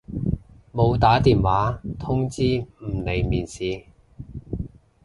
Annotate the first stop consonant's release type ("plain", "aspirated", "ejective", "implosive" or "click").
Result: plain